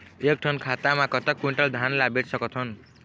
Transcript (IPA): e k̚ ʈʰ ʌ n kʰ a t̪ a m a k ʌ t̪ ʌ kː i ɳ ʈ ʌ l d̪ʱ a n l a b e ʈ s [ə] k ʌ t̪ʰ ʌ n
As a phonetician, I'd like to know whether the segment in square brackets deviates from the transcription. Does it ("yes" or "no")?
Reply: yes